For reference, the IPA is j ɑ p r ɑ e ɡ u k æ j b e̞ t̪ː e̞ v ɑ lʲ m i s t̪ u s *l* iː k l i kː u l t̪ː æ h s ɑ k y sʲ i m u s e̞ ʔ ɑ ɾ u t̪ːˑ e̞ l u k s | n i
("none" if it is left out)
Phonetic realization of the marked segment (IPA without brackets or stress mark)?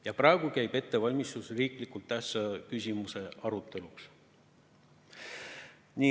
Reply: r